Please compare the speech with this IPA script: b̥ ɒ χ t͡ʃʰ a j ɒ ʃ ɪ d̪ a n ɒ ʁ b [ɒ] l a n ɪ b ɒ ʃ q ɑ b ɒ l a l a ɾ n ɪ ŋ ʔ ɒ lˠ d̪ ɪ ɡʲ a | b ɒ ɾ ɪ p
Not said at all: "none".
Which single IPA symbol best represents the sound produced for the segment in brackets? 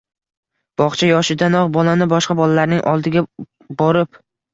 ɒ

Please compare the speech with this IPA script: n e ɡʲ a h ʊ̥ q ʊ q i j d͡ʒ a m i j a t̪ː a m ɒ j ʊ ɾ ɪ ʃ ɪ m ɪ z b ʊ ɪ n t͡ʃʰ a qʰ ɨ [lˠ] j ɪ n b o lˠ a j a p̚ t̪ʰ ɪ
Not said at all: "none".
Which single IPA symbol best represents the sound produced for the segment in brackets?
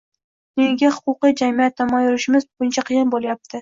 none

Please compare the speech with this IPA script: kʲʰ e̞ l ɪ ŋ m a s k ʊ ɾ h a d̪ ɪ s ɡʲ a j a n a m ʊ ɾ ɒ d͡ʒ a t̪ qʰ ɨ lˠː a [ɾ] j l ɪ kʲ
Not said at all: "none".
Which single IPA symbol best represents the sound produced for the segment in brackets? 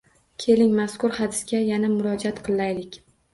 none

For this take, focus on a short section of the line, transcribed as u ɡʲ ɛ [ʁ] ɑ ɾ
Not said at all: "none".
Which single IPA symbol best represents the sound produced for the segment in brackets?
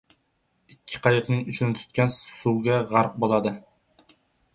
ʁ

